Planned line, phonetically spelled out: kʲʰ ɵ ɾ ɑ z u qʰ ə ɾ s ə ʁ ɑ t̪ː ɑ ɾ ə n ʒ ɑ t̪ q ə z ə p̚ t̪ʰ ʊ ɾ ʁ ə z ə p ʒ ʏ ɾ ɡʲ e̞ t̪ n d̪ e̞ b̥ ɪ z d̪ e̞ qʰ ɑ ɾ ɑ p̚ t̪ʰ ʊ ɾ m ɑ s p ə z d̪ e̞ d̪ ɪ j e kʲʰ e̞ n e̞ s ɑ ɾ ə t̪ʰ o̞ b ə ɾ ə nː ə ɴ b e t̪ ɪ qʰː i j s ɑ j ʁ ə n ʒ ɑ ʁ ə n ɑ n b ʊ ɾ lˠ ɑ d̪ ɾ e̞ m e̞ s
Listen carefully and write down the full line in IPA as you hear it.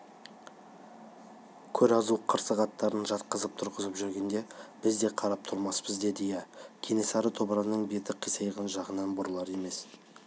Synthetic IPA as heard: kʲʰ ɵ ɾ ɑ z u qʰ ə ɾ s ə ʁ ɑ t̪ː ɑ ɾ ə n ʒ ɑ t̪ q ə z ə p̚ t̪ʰ ʊ ɾ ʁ ə z ə p ʒ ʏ ɾ ɡʲ e̞ n d̪ e̞ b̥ ɪ z d̪ e̞ qʰ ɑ ɾ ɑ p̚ t̪ʰ ʊ ɾ m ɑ s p ə z d̪ e̞ d̪ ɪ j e kʲʰ e̞ n e̞ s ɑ ɾ ə t̪ʰ o̞ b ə ɾ ɑ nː ə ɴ b e t̪ ɪ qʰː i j s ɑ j ʁ ə n ʒ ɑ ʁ ə n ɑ n b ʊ ɾ lˠ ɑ ɾ e̞ m e̞ s